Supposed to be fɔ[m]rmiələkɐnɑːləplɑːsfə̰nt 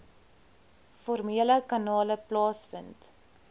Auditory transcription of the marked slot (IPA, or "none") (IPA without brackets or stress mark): none